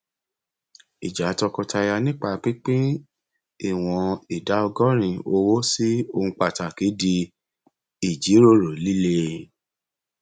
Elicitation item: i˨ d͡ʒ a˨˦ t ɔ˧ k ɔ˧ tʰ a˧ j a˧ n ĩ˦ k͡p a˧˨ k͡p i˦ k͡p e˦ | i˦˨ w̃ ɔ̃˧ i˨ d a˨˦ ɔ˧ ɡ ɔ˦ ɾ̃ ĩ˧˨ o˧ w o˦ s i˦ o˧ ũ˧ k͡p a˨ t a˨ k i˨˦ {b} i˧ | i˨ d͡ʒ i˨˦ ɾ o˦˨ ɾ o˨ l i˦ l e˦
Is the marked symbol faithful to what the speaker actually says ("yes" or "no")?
no